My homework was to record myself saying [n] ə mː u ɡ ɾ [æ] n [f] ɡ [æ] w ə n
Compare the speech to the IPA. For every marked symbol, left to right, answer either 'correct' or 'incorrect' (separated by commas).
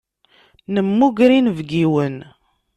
correct, incorrect, incorrect, incorrect